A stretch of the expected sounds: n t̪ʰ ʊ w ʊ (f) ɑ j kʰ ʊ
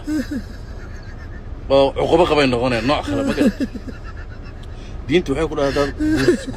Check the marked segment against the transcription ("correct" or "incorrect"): incorrect